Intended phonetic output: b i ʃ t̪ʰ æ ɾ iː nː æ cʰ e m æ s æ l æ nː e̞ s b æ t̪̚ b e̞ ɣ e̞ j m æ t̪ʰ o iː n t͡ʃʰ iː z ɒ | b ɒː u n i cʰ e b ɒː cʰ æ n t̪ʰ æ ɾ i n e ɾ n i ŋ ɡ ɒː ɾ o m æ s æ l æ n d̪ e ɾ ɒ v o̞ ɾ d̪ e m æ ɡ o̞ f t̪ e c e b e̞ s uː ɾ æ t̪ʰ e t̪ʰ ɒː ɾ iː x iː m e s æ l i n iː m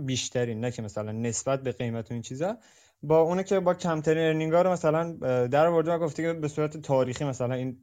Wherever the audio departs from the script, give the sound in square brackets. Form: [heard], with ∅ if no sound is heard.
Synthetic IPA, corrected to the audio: b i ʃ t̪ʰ æ ɾ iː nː æ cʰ e m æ s æ l æ nː e̞ s b æ t̪̚ b e̞ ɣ e̞ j m æ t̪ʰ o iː n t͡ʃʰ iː z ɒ | b ɒː u n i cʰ e b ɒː cʰ æ [m] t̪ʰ æ ɾ i n e ɾ n i ŋ ɡ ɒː ɾ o m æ s æ l æ n d̪ [æ] ɾ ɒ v o̞ ɾ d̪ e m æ ɡ o̞ f t̪ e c e b e̞ s uː ɾ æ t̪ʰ e t̪ʰ ɒː ɾ iː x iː m [æ] s æ l [æ] n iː [n]